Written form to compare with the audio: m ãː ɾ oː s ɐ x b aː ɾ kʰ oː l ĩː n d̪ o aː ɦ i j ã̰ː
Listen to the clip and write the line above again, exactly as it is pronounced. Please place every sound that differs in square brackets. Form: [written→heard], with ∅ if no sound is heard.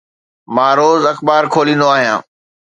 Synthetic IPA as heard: m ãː ɾ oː [s→z] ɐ x b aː ɾ kʰ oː l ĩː n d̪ o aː ɦ i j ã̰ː